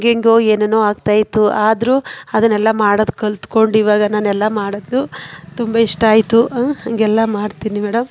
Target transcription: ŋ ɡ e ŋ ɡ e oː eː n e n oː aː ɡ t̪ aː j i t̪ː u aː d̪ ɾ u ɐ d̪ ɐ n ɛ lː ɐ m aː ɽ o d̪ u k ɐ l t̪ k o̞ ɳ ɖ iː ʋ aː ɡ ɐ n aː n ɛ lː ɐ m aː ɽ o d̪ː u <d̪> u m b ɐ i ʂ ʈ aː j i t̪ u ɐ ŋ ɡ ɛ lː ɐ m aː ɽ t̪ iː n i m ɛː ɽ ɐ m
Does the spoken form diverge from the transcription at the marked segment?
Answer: yes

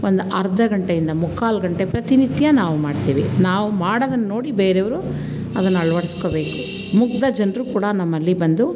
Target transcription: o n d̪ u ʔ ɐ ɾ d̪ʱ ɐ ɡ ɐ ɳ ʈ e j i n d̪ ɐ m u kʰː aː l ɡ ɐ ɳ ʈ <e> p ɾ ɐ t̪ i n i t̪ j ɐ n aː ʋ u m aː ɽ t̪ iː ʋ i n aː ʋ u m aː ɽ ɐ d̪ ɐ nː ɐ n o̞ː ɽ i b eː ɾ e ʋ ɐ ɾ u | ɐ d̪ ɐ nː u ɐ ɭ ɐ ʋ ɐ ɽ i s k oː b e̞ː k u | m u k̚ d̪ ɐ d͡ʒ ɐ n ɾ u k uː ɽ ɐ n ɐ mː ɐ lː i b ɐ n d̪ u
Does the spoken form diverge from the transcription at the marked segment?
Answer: no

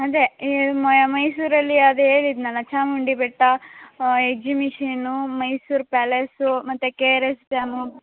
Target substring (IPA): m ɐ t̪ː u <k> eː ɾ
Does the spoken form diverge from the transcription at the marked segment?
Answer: no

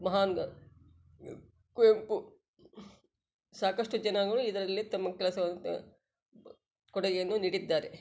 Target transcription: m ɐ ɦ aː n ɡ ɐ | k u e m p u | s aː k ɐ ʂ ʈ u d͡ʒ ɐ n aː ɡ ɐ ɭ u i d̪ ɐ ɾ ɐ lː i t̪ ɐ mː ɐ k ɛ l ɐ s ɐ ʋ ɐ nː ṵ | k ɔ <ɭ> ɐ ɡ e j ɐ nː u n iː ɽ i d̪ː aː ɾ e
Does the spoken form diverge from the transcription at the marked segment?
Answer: yes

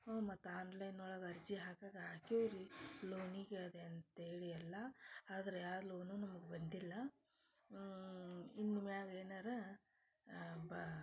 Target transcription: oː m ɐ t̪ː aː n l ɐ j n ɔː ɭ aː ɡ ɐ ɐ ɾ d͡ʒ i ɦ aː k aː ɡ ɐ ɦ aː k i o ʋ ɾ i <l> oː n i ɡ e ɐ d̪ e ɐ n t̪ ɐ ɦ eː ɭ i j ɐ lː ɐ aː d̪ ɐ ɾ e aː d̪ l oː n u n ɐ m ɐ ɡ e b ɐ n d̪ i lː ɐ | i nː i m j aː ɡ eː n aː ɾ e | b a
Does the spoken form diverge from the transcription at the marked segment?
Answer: no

